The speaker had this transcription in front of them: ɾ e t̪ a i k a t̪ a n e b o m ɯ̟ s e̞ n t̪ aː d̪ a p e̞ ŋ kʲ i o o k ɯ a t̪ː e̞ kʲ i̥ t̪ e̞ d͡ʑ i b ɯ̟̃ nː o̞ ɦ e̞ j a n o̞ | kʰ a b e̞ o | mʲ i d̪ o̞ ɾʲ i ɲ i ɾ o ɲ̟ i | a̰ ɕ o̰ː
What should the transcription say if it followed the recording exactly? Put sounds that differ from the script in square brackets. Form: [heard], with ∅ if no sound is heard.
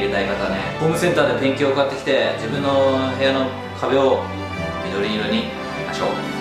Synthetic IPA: ɾ e t̪ a i k a t̪ a n e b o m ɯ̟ s [ẽ̞] n t̪ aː d̪ [e] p [ẽ̞] ŋ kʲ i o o k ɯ a t̪ː e̞ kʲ i̥ t̪ e̞ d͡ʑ i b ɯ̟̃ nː o̞ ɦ e̞ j a n o̞ | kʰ a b e̞ o | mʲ i d̪ o̞ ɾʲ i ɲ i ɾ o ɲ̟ i | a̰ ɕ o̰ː